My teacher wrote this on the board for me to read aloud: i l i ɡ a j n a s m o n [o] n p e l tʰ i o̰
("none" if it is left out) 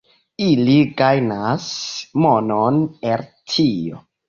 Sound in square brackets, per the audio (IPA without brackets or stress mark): o